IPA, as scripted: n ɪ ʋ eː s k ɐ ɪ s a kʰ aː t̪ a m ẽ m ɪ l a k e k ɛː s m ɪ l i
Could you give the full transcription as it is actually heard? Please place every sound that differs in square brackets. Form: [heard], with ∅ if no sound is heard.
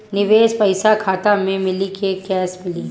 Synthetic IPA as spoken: n ɪ ʋ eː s [p] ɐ ɪ s a kʰ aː t̪ a m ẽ m ɪ l [i] k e k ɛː s m ɪ l i